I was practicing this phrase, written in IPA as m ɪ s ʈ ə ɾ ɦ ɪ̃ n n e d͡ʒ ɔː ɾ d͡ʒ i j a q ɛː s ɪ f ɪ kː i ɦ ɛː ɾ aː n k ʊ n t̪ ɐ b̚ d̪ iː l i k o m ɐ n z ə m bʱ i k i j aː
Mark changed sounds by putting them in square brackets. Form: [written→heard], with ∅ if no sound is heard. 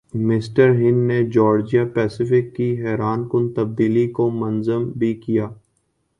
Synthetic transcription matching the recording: m ɪ s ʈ ə ɾ ɦ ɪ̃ n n e d͡ʒ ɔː ɾ d͡ʒ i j a [q→p] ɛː s ɪ f ɪ kː i ɦ ɛː ɾ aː n k ʊ n t̪ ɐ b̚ d̪ iː l i k o m ɐ n z ə m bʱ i k i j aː